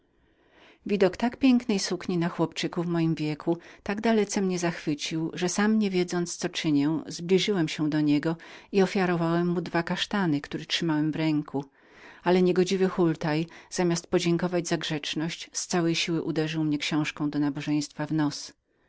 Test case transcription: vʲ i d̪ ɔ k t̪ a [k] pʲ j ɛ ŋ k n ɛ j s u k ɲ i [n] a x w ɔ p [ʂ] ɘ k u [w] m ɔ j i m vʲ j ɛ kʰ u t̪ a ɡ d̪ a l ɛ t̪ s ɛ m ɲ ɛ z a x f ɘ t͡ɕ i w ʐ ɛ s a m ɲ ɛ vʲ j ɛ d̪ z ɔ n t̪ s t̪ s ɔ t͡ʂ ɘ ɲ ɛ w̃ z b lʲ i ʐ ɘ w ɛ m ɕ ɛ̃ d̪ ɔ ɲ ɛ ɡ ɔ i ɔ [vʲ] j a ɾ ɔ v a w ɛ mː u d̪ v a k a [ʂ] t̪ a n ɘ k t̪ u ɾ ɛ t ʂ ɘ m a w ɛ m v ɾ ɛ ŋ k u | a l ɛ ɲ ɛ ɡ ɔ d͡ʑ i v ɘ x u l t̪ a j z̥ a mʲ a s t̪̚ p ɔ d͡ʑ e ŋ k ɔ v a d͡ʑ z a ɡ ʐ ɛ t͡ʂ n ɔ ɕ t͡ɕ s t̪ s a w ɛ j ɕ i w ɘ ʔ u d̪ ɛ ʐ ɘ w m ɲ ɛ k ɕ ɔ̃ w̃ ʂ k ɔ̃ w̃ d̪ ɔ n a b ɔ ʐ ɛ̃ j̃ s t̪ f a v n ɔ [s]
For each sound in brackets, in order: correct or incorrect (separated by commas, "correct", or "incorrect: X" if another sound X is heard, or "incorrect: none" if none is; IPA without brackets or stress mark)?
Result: correct, correct, incorrect: t͡ʂ, incorrect: v, incorrect: fʲ, correct, correct